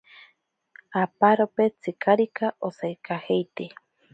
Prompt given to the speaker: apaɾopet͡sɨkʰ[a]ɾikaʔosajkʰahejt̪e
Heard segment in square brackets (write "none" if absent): a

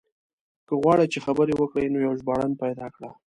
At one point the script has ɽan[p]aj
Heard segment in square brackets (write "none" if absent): p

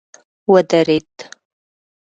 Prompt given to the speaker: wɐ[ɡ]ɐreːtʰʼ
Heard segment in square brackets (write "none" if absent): d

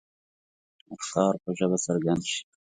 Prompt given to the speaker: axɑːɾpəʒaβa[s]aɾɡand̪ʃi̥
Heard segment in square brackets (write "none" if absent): s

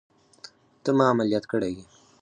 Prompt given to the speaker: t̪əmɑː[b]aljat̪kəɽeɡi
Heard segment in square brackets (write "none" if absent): m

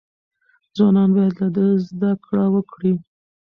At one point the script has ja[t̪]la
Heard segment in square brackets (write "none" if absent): d̪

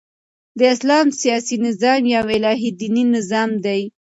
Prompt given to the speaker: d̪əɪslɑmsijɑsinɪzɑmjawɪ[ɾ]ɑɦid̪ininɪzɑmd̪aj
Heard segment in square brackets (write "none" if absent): l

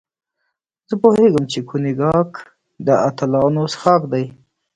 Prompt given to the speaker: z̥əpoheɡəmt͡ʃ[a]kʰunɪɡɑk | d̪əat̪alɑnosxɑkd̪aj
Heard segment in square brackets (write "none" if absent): e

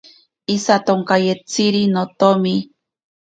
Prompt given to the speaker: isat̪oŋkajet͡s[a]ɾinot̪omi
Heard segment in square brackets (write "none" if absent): i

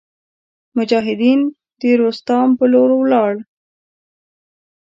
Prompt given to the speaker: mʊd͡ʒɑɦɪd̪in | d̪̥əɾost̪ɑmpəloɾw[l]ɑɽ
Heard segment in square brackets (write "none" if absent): l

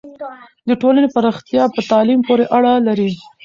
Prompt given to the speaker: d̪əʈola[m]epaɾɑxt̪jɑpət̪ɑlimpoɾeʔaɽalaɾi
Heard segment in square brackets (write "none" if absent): n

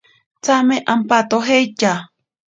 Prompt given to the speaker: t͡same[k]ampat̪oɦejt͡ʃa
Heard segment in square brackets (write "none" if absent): ʔ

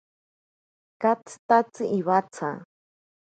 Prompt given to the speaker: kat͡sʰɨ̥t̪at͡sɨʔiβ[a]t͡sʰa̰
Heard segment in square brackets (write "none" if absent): a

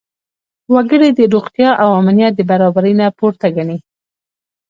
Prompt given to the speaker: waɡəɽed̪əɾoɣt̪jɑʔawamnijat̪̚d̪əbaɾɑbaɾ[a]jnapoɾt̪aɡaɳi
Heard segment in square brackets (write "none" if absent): ə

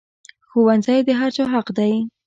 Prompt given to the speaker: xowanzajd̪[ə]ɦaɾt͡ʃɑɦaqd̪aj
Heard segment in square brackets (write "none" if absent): ə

